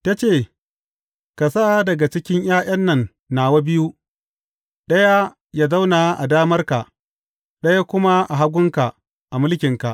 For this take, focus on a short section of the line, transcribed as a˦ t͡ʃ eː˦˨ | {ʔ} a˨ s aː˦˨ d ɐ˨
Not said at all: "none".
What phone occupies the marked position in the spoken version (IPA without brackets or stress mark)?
k